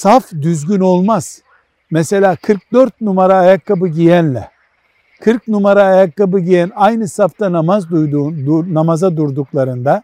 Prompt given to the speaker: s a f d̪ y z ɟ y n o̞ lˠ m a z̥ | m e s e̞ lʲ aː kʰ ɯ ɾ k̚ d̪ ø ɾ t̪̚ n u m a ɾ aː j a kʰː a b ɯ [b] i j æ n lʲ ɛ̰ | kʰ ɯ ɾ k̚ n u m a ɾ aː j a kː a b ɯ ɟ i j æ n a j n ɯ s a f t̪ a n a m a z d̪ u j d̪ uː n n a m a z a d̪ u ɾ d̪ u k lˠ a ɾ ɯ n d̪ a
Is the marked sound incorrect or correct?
incorrect